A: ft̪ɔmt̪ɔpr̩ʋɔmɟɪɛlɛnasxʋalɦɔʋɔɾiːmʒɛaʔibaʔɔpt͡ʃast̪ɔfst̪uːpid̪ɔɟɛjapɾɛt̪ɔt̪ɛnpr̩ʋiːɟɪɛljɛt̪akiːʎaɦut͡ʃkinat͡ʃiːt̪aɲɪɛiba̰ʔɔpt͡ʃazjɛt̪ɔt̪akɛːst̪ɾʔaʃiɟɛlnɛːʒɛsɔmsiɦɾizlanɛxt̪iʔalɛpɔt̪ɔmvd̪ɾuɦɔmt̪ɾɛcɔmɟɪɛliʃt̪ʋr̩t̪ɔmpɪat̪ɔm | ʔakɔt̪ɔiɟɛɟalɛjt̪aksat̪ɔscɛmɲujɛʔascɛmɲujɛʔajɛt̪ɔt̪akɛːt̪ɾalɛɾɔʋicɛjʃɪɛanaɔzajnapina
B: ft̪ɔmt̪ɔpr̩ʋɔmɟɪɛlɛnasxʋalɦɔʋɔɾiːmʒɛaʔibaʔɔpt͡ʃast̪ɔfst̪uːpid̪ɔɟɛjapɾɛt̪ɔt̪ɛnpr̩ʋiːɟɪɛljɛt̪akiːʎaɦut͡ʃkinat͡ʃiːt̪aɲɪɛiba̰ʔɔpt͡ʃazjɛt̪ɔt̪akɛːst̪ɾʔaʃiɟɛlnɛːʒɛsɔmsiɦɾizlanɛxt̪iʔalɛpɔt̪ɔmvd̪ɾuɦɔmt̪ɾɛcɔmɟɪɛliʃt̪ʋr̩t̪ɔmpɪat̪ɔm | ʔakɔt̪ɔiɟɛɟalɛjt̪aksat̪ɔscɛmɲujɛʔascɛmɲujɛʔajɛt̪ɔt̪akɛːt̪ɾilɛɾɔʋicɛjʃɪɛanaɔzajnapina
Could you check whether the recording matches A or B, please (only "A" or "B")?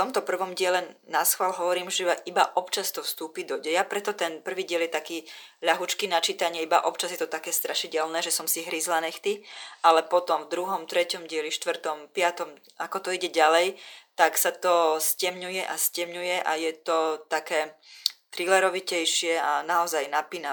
B